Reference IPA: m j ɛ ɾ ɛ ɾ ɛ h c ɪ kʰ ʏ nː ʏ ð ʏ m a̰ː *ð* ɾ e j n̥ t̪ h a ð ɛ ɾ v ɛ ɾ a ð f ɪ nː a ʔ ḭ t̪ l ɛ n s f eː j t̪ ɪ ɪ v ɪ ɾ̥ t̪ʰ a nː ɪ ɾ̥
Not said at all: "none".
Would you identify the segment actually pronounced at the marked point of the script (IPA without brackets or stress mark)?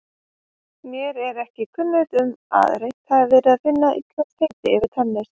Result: ð